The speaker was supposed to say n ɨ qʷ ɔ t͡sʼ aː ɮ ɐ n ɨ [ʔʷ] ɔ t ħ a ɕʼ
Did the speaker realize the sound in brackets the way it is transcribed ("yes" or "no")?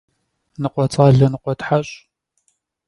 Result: no